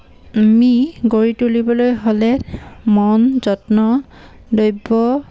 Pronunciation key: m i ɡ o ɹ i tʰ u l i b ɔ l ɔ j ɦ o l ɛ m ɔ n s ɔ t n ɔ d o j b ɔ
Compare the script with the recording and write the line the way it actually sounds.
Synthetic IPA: m i ɡ o ɹ i t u l i b ɔ l o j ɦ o l ɛ m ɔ n z ɔ t n ɔ d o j b ɔ